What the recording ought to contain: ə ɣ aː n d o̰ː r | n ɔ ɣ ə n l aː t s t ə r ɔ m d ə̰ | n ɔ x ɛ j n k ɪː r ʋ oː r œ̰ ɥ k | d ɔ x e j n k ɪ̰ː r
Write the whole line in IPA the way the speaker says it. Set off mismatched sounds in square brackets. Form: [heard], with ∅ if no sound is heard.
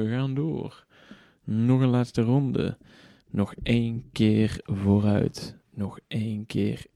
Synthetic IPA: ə ɣ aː n d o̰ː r | n ɔ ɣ ə n l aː t s t ə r ɔ [n] d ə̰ | n ɔ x [e] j n k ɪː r [v] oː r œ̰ ɥ [t] | [n] ɔ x e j n k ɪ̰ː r